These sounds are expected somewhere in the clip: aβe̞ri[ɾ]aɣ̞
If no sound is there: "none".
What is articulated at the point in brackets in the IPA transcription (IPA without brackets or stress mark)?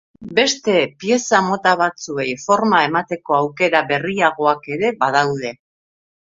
none